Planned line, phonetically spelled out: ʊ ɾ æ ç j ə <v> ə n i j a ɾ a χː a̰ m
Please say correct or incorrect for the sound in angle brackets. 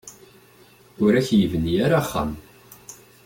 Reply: correct